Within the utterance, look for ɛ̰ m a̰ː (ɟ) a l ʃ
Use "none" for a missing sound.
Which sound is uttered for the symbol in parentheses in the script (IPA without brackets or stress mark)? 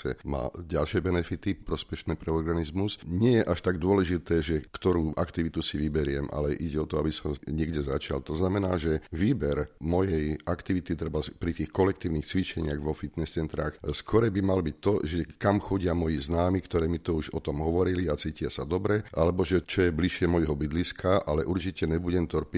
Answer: ɟ